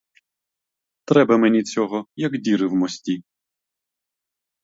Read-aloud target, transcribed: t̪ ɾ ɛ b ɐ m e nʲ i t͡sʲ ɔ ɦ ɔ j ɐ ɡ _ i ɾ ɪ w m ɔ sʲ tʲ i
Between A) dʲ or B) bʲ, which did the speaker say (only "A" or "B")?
A